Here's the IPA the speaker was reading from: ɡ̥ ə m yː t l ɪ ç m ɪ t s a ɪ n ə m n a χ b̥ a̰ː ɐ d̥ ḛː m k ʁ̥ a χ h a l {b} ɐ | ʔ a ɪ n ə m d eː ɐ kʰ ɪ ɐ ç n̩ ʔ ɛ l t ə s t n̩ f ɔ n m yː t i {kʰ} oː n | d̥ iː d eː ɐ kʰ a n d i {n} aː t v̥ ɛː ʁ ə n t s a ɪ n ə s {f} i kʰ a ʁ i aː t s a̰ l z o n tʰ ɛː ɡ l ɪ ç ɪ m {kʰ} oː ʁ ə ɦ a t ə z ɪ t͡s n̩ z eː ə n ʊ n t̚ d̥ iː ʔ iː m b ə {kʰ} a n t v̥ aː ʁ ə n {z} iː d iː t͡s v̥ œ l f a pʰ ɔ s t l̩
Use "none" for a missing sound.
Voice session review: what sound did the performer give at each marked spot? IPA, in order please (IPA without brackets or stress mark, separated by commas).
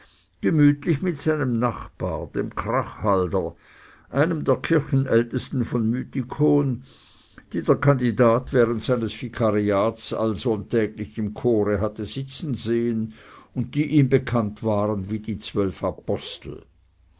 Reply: d, kʰ, d, f, kʰ, kʰ, v